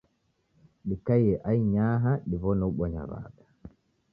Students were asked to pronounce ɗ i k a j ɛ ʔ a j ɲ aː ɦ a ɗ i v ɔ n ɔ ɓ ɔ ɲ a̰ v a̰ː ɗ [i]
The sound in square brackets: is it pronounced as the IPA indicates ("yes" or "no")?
no